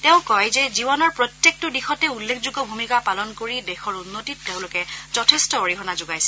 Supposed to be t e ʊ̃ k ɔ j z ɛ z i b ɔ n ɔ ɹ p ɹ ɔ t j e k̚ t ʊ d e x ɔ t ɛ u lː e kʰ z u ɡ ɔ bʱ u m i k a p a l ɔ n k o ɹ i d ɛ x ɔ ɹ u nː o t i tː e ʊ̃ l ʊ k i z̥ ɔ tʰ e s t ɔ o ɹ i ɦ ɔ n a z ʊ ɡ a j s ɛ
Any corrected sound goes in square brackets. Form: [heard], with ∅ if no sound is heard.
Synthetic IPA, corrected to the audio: t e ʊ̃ k ɔ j z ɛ z i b ɔ n ɔ ɹ p ɹ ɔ t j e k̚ t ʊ d [i] x ɔ t ɛ u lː e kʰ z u ɡ ɔ bʱ u m i k a p a l ɔ n k o ɹ i d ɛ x ɔ ɹ u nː o t i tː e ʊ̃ l ʊ k [ɛ] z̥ ɔ tʰ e s t ɔ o ɹ i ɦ ɔ n a z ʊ ɡ a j s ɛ